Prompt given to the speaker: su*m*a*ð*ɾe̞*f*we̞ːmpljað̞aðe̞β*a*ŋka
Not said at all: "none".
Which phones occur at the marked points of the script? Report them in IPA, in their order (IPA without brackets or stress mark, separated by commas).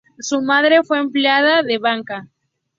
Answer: m, ð, f, a